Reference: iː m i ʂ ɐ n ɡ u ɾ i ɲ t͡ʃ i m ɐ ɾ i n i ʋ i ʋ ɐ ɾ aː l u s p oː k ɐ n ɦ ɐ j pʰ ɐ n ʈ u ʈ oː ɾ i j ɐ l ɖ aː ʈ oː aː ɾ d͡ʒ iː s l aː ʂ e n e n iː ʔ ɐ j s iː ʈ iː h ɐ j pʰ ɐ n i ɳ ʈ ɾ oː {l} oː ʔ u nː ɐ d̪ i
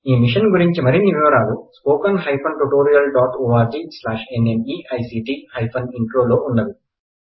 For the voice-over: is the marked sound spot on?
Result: yes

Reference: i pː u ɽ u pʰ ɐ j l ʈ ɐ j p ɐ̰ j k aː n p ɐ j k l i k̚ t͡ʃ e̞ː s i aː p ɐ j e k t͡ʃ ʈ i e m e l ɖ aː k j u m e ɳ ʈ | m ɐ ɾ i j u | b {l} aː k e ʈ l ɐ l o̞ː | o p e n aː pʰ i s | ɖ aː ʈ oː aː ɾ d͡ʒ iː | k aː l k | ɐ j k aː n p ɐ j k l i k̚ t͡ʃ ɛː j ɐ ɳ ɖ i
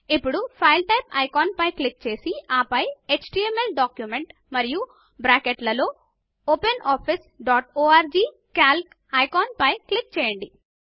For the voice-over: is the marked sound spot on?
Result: no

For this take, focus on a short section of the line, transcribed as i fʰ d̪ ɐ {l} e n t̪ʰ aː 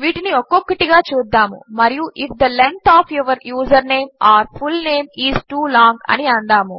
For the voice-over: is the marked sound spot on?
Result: yes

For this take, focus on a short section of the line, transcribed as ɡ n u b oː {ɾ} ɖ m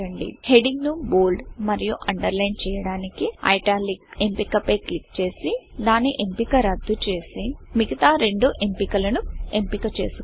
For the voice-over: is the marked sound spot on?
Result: no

